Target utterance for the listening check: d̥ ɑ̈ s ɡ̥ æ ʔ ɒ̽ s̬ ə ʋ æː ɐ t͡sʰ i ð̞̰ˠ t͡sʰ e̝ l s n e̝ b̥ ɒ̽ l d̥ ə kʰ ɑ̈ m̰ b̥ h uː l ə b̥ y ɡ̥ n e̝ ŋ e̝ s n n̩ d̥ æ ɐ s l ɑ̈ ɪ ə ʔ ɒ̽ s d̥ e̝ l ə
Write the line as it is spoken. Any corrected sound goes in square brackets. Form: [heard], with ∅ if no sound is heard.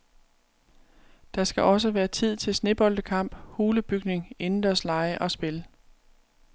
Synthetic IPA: d̥ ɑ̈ s ɡ̥ æ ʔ ɒ̽ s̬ ə ʋ æː ɐ t͡sʰ i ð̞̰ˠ t͡sʰ e̝ l s n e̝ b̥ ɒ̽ l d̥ ə kʰ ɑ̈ m̰ b̥ h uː l ə b̥ y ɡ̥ n e̝ ŋ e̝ [∅] n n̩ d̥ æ ɐ s l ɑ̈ ɪ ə ʔ ɒ̽ s [b̥] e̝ l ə